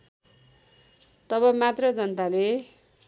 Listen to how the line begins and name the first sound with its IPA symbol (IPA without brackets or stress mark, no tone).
t̪